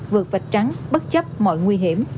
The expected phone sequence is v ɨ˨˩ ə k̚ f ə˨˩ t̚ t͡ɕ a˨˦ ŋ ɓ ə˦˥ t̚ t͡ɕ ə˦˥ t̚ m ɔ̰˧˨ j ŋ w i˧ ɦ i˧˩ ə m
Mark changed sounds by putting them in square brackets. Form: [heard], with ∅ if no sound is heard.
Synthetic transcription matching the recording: v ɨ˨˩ ə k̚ [v] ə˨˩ t̚ t͡ɕ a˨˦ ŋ ɓ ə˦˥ t̚ t͡ɕ ə˦˥ [p̚] m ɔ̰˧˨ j ŋ w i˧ ɦ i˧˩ ə m

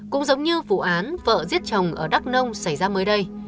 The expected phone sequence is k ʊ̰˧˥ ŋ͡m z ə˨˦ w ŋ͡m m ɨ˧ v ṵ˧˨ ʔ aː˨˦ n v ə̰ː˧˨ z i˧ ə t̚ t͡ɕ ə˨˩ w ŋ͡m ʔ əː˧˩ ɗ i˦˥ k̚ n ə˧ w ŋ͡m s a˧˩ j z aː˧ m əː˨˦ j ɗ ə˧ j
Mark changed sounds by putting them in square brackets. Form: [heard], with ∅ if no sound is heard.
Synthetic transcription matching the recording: k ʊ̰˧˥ ŋ͡m z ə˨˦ w ŋ͡m [ɲ] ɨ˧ v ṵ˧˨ ʔ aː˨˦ n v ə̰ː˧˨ z [i˦˥] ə t̚ t͡ɕ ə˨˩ w ŋ͡m ʔ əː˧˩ ɗ [a˦˥] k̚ n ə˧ w ŋ͡m s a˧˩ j z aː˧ m əː˨˦ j ɗ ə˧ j

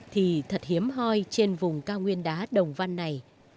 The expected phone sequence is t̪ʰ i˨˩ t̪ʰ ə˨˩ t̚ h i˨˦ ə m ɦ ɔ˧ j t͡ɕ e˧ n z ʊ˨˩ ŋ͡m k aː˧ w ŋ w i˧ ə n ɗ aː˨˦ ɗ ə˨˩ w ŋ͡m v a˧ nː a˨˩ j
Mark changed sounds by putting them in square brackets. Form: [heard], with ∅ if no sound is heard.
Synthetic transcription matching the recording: t̪ʰ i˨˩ t̪ʰ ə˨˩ t̚ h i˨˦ ə m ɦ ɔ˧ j t͡ɕ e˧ n [v] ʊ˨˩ ŋ͡m k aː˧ w ŋ w i˧ ə n ɗ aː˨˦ ɗ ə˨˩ w ŋ͡m v a˧ nː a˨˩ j

